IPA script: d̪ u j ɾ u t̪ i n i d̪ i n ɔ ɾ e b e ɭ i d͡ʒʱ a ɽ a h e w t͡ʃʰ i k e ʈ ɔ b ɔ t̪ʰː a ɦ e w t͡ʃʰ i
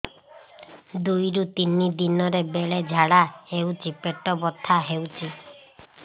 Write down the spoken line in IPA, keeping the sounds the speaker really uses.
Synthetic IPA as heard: d̪ u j ɾ u t̪ i n i d̪ i n ɔ ɾ e b e ɭ e d͡ʒʱ a ɽ a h e w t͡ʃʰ i p e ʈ ɔ b ɔ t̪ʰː a ɦ e w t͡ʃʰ i